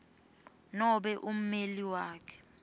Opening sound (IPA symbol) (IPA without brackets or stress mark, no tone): n